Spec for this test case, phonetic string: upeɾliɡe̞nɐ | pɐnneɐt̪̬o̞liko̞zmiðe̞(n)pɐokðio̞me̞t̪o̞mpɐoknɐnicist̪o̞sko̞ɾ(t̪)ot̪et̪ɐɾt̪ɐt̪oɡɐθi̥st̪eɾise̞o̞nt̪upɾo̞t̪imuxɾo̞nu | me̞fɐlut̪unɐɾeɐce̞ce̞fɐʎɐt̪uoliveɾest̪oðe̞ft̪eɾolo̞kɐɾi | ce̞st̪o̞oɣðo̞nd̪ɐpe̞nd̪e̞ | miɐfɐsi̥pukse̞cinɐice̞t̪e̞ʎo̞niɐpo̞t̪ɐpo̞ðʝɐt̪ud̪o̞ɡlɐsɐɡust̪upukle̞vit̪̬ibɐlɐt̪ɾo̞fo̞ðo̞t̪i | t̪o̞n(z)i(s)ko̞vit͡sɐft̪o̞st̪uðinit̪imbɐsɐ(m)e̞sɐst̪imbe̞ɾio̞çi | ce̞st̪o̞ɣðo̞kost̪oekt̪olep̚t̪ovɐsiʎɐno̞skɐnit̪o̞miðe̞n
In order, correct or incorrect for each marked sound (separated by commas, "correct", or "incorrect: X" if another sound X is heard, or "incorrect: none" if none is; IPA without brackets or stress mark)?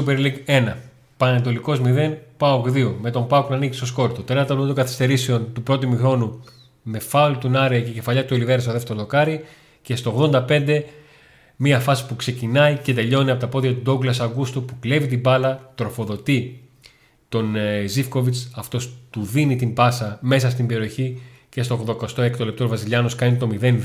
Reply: correct, correct, correct, incorrect: f, correct